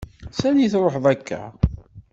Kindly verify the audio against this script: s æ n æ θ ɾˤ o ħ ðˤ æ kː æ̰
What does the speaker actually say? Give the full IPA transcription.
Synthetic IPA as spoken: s æ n i θ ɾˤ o ħ ðˤ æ kː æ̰